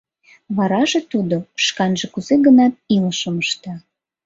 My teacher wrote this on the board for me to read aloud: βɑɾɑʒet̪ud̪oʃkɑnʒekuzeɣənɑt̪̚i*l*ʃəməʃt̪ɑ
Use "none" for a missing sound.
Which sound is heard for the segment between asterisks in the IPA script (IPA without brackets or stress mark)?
l